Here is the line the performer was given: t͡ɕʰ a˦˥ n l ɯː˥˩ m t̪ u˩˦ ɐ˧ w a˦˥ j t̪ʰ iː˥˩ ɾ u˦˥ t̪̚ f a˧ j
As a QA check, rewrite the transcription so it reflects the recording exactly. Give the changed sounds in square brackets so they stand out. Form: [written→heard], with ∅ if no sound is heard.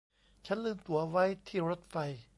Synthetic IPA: t͡ɕʰ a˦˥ n l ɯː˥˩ m t̪ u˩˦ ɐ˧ w a˦˥ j t̪ʰ iː˥˩ ɾ [u˦˥→o˦˥] t̪̚ f a˧ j